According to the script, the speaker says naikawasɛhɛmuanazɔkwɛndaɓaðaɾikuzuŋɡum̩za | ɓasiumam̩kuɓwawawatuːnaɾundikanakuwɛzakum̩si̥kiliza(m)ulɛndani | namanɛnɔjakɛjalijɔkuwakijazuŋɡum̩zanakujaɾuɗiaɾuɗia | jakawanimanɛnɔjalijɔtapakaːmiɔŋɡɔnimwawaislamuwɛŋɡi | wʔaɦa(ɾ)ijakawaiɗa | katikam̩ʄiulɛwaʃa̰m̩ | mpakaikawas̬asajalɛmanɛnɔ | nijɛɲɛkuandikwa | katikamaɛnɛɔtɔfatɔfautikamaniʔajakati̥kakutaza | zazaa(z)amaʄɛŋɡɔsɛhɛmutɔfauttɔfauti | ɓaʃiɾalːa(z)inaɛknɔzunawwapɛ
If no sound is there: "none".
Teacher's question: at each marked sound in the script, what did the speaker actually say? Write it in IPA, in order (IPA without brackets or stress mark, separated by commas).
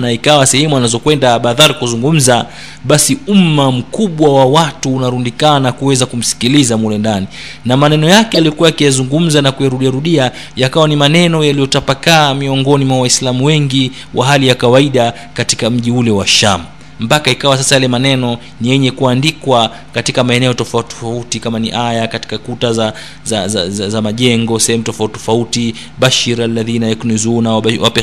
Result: m, l, z, ð